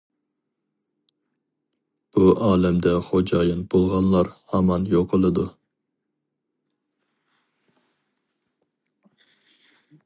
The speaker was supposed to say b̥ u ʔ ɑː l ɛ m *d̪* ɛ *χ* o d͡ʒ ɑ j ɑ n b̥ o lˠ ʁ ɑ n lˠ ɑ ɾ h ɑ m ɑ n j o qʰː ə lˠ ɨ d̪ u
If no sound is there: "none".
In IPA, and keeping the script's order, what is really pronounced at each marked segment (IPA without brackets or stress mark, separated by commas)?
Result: d̪, χ